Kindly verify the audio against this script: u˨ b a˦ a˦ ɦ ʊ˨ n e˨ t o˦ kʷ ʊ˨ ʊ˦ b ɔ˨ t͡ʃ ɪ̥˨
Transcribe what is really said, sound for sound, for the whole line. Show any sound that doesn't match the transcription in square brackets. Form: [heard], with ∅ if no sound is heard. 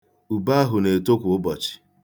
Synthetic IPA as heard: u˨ b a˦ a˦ ɦ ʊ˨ n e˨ t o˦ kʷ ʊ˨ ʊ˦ b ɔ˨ t͡ʃ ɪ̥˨